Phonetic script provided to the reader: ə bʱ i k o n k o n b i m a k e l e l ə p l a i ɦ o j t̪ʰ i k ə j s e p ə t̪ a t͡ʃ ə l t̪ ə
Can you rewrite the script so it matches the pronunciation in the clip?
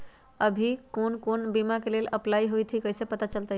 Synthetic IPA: ə bʱ i k o n k o n b i m a k e l e l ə p l a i ɦ o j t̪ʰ i k ə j s e p ə t̪ a t͡ʃ ə l t̪ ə